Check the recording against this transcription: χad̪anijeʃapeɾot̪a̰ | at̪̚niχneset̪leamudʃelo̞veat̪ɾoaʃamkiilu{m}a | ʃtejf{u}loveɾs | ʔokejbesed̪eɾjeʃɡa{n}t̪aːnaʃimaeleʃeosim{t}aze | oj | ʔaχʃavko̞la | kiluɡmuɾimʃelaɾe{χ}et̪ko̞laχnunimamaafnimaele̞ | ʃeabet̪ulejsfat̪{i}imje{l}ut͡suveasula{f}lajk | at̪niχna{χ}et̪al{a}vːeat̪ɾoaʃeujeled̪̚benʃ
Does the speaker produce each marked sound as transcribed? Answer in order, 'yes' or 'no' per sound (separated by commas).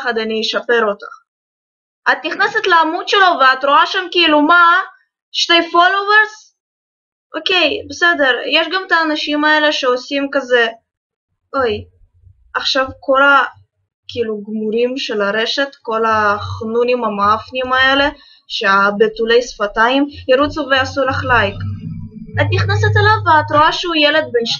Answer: yes, no, no, no, no, no, no, no, no, yes